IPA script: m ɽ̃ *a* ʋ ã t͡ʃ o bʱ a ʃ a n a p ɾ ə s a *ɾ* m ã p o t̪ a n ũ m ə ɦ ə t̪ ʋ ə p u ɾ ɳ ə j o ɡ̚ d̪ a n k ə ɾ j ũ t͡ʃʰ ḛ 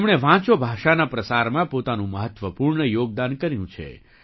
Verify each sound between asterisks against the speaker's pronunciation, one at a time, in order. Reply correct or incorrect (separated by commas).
incorrect, correct